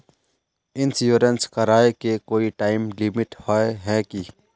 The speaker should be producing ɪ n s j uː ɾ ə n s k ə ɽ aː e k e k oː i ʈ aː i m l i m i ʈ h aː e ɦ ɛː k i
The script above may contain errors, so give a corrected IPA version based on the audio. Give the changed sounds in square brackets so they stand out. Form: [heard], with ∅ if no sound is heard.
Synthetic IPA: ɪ n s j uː ɾ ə n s k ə [ɾ] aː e k e k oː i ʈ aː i m l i m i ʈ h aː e ɦ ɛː k i